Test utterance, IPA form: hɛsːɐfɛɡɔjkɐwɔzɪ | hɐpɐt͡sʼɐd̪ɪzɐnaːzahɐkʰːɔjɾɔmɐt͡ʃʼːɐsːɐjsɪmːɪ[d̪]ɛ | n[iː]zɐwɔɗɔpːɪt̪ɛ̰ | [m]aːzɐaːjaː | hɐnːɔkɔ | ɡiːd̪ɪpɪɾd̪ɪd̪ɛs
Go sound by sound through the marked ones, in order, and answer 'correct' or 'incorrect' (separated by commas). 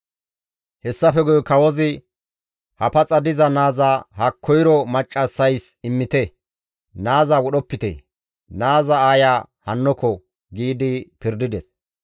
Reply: incorrect, incorrect, incorrect